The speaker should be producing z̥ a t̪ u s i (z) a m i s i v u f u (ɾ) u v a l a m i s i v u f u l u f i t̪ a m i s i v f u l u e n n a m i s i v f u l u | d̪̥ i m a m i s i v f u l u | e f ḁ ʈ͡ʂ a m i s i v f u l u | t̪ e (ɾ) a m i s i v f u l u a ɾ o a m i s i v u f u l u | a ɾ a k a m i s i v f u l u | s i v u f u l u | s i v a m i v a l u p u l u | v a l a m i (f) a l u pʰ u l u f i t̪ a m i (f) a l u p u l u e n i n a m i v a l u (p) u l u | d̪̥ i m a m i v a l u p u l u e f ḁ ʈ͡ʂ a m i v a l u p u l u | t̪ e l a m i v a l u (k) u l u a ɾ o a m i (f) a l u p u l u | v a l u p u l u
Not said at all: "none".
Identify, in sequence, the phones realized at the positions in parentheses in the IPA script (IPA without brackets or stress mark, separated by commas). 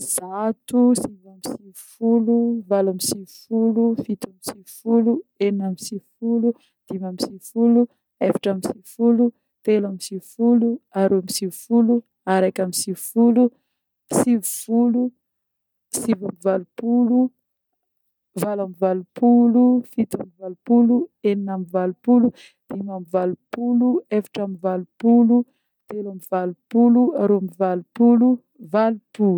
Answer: v, l, l, v, v, p, p, v